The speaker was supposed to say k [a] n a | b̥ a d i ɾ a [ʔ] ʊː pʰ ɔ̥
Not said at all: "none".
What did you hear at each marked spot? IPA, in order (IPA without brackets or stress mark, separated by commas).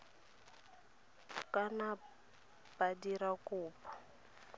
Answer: a, k